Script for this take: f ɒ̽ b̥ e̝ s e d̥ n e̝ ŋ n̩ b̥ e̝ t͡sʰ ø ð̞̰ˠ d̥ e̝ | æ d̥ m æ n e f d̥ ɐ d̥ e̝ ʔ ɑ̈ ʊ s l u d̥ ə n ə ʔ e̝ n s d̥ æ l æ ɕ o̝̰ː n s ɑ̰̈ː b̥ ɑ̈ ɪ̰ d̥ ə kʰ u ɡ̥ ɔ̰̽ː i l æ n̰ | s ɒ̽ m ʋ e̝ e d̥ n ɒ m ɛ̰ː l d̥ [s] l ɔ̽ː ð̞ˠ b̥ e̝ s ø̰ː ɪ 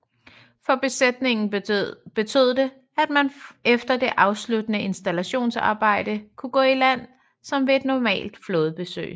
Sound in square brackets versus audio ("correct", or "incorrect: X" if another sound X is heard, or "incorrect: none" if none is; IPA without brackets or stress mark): incorrect: f